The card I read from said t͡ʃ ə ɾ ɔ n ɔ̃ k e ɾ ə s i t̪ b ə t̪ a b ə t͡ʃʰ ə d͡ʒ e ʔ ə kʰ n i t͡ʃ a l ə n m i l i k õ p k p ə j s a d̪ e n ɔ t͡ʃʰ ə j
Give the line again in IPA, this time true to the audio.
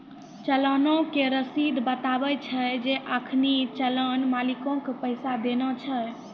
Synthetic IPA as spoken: t͡ʃ ə l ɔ n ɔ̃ k e ɾ ə s i d̪ b ə t̪ a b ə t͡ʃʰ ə d͡ʒ e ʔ ə kʰ n i t͡ʃ ə l ə n m a l i k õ k p ə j s a d̪ e n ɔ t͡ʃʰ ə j